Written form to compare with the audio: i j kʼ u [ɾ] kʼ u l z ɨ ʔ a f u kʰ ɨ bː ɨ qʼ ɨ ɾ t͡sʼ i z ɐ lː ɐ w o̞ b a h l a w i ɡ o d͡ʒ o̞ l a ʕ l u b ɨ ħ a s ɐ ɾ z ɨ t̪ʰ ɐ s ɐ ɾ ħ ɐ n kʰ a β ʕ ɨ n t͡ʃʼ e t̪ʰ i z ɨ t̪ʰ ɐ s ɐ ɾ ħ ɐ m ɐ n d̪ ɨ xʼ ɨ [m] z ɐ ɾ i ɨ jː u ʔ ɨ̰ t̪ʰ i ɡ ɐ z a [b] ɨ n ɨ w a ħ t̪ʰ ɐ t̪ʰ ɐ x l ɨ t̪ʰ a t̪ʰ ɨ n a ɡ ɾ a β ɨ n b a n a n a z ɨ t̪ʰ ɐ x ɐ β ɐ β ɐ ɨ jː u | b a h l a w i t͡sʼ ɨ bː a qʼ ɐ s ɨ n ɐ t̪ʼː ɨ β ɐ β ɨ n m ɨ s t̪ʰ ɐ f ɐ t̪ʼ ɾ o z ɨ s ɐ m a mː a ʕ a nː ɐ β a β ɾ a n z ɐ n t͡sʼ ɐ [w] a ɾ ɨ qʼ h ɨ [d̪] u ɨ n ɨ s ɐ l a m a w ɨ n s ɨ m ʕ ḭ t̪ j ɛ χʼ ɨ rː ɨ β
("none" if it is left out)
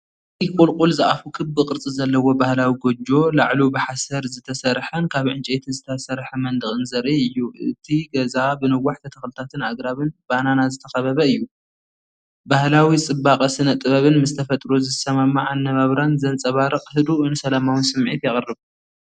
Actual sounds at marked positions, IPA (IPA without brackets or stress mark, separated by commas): l, n, b, β, d̪